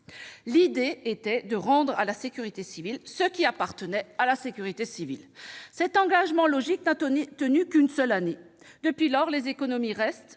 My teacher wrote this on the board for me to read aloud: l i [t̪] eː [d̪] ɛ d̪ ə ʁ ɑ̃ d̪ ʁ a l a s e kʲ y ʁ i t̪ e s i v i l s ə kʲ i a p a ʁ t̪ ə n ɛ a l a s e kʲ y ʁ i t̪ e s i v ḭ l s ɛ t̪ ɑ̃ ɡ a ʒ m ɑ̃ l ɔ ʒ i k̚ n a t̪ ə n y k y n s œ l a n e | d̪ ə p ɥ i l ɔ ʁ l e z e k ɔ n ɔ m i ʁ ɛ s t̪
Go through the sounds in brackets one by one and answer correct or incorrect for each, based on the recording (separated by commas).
incorrect, incorrect